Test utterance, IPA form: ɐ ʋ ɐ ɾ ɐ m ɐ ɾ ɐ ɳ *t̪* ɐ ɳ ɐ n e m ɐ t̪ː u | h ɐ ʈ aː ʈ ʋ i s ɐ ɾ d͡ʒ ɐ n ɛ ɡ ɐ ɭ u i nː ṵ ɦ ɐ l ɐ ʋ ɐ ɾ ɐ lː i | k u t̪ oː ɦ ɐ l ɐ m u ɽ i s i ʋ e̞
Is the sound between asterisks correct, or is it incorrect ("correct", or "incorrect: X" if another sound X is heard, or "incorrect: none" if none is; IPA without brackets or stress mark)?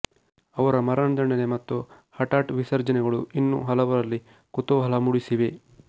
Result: incorrect: d̪